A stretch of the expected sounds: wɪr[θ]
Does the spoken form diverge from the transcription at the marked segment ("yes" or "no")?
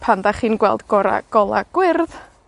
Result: yes